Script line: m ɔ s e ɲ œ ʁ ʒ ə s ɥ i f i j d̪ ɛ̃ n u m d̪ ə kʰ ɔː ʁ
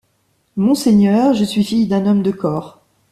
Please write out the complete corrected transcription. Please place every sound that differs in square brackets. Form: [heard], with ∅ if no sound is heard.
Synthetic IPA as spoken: m [ɔ̃] s e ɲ œ ʁ ʒ ə s ɥ i f i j d̪ ɛ̃ n [ɔ] m d̪ ə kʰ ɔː ʁ